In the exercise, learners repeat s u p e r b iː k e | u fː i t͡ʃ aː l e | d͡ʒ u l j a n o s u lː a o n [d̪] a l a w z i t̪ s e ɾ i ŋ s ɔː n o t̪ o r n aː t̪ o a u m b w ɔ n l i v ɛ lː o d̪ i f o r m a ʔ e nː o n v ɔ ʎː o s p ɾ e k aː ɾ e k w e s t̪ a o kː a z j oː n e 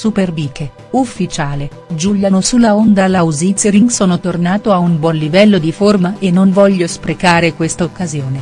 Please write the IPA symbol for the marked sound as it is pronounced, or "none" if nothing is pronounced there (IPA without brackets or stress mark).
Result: d̪